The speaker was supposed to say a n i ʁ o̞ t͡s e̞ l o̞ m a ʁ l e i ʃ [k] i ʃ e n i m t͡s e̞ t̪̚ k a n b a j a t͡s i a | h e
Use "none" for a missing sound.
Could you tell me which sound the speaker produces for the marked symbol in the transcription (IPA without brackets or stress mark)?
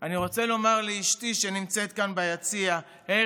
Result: t